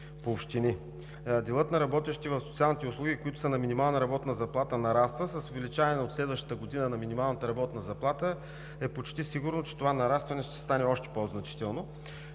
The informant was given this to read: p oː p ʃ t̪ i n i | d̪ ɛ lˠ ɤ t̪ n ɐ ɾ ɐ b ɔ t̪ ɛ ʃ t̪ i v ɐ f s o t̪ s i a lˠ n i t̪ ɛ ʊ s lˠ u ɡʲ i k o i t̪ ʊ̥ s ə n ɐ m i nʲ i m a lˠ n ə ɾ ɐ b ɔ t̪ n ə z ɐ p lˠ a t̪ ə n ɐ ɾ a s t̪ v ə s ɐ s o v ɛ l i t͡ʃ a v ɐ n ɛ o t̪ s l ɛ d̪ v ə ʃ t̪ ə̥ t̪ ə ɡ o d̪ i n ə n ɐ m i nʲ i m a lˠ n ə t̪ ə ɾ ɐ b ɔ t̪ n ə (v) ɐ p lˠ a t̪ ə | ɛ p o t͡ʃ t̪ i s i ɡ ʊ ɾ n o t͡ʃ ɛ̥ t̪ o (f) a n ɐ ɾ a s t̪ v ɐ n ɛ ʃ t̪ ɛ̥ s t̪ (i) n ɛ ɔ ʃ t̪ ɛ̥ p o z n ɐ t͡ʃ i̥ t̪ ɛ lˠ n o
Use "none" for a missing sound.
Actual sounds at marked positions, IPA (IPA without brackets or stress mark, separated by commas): z, v, a